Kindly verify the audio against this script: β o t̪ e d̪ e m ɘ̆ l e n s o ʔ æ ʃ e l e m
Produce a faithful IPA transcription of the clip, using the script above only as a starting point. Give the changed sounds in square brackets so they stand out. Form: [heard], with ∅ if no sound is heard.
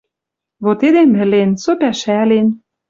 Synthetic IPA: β o t̪ e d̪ e m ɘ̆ l e n s o [p] æ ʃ [æ] l e [n]